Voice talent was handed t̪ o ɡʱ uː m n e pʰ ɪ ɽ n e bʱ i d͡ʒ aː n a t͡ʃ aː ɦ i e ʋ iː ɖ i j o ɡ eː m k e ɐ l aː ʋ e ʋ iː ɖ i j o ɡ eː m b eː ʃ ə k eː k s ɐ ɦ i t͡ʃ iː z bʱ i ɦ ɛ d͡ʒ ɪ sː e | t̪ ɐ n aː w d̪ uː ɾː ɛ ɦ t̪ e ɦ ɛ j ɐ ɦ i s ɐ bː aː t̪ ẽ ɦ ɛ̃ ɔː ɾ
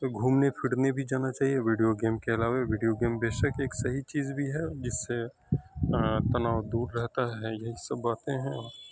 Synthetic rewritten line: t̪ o ɡʱ uː m n e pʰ ɪ ɽ n e bʱ i d͡ʒ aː n a t͡ʃ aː ɦ i e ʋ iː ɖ i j o ɡ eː m k e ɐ l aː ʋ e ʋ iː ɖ i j o ɡ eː m b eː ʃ ə k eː k s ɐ ɦ i t͡ʃ iː z bʱ i ɦ ɛ d͡ʒ ɪ sː e | t̪ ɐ n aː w d̪ uː ɾː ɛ ɦ t̪ a ɦ ɛ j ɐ ɦ i s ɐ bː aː t̪ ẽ ɦ ɛ̃ ɔː ɾ